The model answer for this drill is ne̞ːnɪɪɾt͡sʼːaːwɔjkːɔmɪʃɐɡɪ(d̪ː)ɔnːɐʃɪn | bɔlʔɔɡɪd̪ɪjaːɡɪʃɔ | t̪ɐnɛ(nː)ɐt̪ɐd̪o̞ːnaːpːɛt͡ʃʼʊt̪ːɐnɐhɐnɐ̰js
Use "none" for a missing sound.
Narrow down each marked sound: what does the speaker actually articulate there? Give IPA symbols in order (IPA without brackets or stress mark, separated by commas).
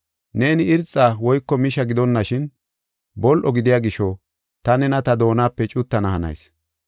d̪, n